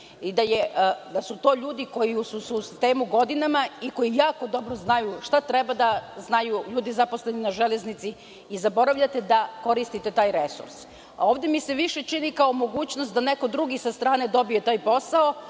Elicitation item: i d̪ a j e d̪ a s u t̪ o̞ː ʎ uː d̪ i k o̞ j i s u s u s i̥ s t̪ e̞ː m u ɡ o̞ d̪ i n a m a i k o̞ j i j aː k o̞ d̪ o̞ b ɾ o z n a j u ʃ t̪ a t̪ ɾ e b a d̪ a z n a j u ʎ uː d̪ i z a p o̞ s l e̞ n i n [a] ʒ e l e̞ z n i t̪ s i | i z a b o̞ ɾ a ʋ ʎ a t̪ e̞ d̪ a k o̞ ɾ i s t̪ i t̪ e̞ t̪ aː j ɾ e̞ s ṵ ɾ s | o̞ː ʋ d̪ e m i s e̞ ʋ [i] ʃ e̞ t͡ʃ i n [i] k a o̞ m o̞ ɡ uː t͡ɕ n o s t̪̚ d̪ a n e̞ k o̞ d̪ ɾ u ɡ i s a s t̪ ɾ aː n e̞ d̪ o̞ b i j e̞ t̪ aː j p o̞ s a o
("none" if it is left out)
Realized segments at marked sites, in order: a, i, i

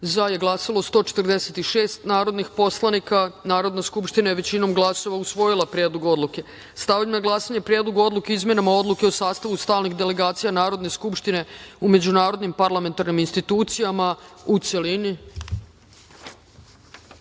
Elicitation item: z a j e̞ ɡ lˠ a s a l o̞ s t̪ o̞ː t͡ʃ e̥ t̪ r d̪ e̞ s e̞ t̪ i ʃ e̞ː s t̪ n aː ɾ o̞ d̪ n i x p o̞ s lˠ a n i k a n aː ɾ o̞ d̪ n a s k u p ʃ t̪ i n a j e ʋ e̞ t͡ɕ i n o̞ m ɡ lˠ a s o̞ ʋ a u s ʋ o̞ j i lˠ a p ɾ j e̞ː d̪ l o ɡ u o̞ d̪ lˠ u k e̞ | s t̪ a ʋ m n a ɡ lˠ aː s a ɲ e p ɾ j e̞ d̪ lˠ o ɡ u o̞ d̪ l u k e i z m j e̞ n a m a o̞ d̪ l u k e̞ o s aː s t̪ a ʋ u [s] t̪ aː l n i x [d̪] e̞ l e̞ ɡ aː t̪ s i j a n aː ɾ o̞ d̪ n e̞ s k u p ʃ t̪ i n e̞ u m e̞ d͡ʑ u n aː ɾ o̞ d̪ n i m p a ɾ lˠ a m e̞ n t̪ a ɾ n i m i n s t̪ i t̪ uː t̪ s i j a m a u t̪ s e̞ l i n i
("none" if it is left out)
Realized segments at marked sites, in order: s, d̪

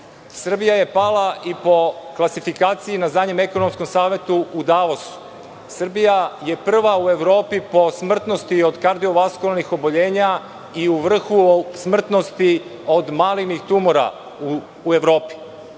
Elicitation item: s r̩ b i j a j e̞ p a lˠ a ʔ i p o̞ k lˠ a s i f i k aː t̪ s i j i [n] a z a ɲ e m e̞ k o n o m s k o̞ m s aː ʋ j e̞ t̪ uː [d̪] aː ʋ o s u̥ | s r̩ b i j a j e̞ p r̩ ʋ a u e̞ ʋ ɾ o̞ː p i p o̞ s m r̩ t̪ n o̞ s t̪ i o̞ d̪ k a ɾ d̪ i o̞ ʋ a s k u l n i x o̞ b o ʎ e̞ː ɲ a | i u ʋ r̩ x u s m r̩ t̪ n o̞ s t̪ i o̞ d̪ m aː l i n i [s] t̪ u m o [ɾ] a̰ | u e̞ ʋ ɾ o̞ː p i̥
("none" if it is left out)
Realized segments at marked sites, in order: n, d̪, x, ɾ

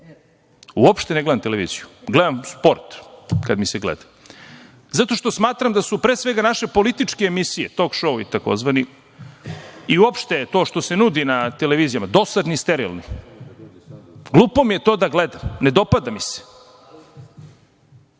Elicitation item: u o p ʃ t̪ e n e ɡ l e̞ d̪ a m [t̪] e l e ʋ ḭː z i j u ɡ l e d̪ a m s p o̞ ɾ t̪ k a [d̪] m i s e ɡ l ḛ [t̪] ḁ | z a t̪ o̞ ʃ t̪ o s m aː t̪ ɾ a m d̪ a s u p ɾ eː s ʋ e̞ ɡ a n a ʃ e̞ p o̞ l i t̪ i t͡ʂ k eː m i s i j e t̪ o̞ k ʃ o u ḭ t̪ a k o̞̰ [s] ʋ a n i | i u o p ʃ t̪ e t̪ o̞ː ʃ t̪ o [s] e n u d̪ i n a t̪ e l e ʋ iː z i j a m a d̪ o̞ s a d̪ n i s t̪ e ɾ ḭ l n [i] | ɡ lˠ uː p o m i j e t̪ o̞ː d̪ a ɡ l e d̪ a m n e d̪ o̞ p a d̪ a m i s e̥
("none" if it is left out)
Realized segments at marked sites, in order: t̪, d̪, d̪, z, s, i

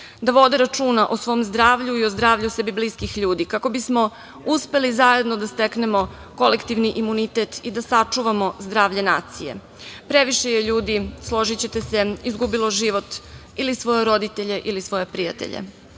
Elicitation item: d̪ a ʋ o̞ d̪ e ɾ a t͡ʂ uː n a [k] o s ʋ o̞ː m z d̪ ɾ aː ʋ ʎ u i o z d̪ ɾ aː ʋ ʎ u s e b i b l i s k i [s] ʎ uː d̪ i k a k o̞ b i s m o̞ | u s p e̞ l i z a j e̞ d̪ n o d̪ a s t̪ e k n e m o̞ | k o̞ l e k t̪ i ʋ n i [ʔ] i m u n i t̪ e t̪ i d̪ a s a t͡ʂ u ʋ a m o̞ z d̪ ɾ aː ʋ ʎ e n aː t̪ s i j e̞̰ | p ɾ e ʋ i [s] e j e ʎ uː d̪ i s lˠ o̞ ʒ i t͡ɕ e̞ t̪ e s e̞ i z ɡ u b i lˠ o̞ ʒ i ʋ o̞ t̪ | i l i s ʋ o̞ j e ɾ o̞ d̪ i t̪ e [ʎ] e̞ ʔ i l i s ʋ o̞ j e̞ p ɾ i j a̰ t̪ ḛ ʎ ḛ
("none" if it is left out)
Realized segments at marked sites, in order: ʔ, x, ʔ, ʃ, ʎ

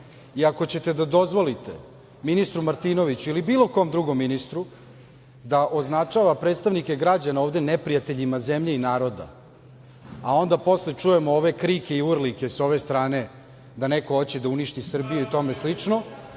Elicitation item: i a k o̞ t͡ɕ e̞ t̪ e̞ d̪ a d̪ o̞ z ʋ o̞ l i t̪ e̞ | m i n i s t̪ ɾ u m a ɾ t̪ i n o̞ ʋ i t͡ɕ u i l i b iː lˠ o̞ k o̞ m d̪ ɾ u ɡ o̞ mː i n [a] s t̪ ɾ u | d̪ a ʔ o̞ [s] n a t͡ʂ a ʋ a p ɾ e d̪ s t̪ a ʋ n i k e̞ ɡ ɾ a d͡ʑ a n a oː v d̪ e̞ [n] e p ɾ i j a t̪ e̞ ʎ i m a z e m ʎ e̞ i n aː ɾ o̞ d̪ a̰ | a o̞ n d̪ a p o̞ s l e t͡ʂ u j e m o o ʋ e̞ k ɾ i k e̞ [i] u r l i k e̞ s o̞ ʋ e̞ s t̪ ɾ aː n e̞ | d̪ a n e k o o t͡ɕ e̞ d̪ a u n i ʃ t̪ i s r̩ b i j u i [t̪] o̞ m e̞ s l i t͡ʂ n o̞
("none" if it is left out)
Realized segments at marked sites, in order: i, z, n, i, t̪

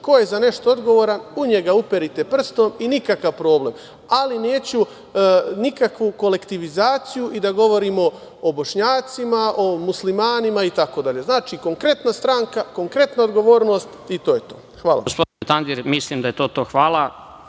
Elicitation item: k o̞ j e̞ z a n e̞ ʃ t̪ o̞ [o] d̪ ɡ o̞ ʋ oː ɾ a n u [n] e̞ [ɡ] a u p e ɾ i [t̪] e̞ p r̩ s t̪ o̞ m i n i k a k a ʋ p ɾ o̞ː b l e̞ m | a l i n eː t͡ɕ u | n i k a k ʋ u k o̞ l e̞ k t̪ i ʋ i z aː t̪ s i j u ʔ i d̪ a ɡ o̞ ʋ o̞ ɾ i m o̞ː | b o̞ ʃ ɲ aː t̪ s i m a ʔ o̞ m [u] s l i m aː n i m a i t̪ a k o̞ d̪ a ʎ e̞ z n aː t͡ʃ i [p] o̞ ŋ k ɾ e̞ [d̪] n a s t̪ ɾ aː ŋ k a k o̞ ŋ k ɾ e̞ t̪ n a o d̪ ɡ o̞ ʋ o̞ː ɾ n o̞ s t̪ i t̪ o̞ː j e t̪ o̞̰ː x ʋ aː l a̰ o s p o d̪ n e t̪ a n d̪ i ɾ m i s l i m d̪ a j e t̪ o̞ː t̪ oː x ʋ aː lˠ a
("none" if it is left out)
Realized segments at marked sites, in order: o, ɲ, ɡ, t̪, u, k, t̪

